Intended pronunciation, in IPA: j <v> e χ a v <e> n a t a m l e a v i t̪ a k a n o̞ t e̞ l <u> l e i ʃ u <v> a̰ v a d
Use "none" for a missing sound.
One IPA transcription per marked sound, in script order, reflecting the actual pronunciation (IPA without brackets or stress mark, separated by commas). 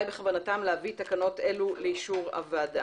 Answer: b, a, u, ʁ